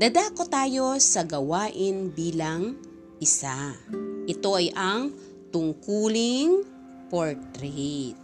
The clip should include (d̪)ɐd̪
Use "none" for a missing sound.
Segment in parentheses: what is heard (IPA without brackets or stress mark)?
d̪